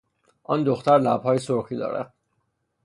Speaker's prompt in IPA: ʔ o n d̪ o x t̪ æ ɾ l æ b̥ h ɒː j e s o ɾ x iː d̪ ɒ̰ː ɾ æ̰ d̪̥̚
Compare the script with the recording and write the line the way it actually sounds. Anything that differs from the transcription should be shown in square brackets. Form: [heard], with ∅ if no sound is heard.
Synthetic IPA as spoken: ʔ [ɒ] n d̪ o x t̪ æ ɾ l æ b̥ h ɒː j e s o ɾ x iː d̪ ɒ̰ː ɾ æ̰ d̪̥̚